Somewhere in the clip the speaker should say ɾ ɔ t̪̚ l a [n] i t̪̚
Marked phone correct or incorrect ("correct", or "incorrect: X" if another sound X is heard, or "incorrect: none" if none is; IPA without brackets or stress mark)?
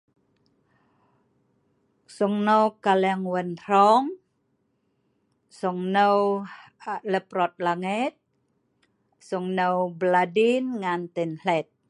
incorrect: ŋ